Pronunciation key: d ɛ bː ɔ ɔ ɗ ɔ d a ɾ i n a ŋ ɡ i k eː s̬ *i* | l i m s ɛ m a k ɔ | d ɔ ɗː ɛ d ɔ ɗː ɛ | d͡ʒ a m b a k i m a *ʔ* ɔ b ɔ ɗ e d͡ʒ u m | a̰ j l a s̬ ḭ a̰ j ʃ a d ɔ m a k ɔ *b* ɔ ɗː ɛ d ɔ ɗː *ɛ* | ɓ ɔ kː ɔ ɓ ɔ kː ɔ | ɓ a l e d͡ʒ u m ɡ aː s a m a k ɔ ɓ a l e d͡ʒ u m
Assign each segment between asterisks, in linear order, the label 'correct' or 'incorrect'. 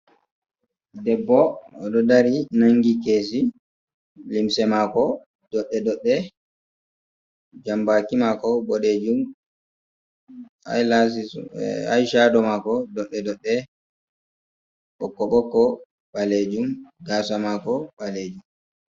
correct, incorrect, incorrect, correct

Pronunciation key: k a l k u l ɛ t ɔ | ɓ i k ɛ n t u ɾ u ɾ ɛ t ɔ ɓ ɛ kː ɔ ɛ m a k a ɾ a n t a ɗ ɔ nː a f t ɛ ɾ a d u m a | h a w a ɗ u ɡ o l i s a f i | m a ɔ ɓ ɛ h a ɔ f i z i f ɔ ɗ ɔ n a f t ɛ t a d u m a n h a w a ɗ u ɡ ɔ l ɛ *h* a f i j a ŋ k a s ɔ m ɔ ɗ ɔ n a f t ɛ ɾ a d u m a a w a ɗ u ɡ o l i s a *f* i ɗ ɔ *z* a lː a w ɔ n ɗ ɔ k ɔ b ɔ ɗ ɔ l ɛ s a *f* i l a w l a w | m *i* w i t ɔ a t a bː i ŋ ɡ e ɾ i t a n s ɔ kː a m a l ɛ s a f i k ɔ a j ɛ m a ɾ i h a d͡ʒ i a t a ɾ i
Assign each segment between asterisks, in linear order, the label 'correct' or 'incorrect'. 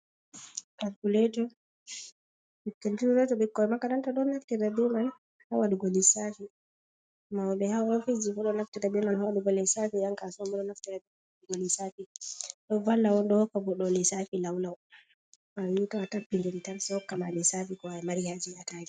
incorrect, correct, incorrect, correct, incorrect

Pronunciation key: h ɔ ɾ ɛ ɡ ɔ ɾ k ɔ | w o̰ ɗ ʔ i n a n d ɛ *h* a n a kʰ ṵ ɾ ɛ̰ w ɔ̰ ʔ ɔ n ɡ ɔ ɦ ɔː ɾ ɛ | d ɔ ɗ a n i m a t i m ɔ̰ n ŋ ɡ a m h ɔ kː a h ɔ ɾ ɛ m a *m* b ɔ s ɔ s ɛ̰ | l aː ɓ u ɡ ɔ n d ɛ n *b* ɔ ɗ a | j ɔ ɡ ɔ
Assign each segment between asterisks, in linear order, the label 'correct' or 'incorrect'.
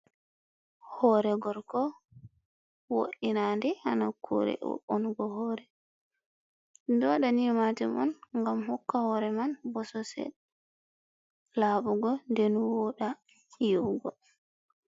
correct, incorrect, incorrect

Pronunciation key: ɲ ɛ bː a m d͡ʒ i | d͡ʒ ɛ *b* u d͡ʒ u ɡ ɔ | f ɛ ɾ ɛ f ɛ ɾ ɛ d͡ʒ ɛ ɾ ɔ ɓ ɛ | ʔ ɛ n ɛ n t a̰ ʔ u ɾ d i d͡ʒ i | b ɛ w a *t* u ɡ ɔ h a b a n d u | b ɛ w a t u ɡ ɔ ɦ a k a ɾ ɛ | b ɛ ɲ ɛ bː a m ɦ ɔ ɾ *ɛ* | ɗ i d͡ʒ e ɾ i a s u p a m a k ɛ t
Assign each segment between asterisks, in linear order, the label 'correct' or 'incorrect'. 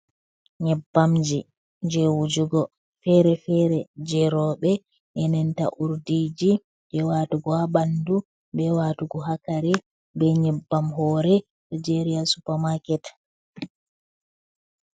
incorrect, correct, correct

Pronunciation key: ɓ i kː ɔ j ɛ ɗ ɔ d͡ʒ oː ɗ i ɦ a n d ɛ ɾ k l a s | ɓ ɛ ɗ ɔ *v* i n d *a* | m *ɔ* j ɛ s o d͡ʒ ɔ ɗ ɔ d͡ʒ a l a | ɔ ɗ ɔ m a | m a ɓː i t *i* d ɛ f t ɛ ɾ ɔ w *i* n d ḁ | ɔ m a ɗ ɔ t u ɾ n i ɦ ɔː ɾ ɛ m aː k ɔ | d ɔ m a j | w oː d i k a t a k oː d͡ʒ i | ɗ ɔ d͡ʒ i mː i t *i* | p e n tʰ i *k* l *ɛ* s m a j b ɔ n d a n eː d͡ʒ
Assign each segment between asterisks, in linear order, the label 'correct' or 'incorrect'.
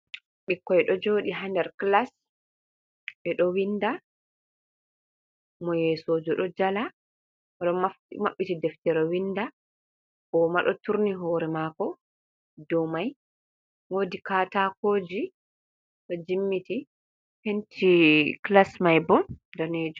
incorrect, correct, correct, correct, correct, correct, correct, incorrect

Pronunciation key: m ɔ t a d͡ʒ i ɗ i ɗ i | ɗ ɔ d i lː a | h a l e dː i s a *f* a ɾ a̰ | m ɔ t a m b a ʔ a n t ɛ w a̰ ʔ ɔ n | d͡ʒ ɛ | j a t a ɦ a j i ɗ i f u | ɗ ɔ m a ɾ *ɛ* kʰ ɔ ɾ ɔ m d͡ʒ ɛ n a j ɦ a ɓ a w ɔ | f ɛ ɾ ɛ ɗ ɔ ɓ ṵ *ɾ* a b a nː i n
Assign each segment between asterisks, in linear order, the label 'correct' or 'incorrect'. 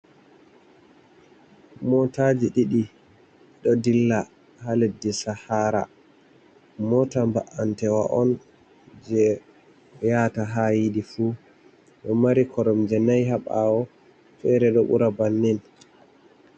incorrect, incorrect, correct

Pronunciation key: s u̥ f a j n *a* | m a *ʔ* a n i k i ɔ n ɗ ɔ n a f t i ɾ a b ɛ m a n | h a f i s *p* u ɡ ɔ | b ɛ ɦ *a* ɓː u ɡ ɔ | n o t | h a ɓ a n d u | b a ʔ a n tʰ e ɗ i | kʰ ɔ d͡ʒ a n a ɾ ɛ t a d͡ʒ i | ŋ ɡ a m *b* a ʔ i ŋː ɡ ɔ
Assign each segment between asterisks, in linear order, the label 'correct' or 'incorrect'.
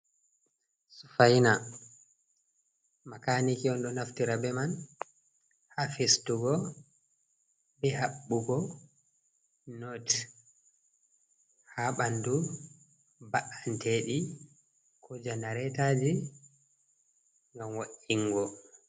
correct, incorrect, incorrect, correct, incorrect

